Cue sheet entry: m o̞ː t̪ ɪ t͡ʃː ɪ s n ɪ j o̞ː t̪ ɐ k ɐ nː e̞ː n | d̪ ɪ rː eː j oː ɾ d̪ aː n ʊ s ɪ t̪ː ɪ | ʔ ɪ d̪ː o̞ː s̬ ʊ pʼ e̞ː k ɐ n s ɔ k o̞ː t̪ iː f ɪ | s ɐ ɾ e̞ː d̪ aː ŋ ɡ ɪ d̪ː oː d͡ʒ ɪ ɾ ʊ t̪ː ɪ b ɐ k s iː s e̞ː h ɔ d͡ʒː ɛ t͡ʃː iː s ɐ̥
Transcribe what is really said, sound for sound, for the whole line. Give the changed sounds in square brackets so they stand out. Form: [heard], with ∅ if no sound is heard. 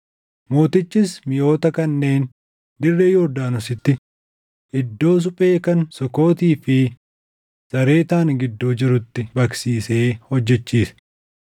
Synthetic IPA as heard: m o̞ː t̪ ɪ t͡ʃː ɪ s [m] ɪ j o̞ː t̪ ɐ k ɐ nː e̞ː n | d̪ ɪ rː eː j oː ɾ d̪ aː n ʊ s ɪ t̪ː ɪ | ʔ ɪ d̪ː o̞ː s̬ ʊ pʼ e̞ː k ɐ n s ɔ k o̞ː t̪ iː f ɪ | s ɐ ɾ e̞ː [t̪] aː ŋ ɡ ɪ d̪ː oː d͡ʒ ɪ ɾ ʊ t̪ː ɪ b ɐ k s iː s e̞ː h ɔ d͡ʒː ɛ t͡ʃː iː s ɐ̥